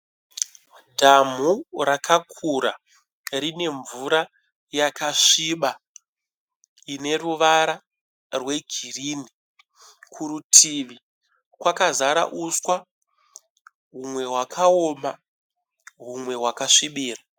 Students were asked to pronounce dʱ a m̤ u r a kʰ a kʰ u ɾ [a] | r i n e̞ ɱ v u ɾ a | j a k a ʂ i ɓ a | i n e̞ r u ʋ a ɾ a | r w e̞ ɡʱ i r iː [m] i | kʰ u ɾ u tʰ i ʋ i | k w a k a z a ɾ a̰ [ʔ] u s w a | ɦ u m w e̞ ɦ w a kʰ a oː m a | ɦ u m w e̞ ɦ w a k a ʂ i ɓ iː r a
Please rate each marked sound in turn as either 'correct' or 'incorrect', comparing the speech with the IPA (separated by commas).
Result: correct, incorrect, correct